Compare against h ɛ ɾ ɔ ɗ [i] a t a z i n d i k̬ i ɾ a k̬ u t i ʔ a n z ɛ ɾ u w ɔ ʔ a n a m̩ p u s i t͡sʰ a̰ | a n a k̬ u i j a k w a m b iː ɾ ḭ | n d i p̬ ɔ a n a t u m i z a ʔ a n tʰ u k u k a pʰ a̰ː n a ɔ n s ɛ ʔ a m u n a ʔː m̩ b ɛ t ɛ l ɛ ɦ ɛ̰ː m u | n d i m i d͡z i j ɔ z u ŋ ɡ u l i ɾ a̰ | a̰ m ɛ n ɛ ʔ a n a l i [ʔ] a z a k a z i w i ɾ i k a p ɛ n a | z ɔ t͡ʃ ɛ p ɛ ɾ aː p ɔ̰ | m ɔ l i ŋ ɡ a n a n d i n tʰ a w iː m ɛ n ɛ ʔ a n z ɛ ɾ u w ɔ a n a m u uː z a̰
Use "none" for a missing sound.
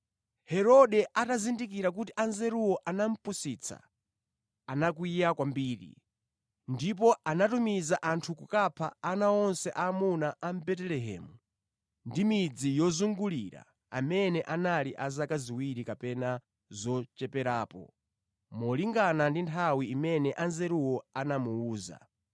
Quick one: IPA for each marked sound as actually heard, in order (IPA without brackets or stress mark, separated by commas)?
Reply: ɛ, ʔ